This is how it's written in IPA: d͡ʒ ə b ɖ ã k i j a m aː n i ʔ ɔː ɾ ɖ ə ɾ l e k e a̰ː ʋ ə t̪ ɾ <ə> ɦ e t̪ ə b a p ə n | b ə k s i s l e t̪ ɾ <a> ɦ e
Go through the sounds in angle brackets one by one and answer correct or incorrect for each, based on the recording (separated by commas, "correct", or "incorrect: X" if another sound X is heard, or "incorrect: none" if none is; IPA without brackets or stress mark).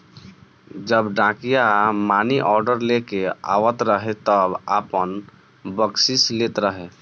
correct, incorrect: ə